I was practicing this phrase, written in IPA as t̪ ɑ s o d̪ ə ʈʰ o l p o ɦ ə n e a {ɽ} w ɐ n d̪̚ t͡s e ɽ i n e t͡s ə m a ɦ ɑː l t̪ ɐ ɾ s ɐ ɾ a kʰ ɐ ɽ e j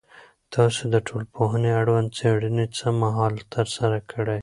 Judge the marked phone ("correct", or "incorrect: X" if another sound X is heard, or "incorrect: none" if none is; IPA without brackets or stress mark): correct